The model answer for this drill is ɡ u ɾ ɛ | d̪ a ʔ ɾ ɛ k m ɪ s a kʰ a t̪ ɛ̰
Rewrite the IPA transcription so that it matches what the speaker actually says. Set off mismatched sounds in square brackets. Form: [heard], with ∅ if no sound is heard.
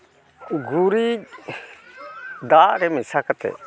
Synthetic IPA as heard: ɡ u ɾ [i] | d̪ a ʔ ɾ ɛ [∅] m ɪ s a [k] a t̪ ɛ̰